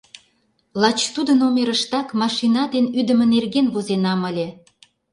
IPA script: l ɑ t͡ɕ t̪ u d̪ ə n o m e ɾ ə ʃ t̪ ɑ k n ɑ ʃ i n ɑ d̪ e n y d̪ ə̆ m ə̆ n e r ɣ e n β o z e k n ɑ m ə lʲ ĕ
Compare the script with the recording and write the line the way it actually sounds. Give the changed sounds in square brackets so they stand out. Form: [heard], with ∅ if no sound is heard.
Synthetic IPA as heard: l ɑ t͡ɕ t̪ u d̪ ə n o m e ɾ ə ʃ t̪ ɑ k [m] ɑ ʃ i n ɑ d̪ e n y d̪ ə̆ m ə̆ n e r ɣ e n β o z e [∅] n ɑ m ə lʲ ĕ